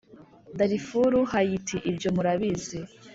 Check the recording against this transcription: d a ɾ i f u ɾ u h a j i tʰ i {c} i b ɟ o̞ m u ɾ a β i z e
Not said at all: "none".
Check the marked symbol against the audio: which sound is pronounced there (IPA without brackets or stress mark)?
ʔ